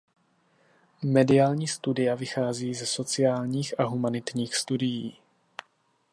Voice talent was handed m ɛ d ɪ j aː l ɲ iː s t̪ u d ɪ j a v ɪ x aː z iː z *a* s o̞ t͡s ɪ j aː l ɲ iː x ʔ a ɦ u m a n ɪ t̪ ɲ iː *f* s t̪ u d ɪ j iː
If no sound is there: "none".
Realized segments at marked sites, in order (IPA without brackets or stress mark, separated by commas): ɛ, x